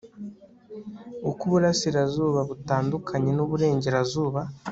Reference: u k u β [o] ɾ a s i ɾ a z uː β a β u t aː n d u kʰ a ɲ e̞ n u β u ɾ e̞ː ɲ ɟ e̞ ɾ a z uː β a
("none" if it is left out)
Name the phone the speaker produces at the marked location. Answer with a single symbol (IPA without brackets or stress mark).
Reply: u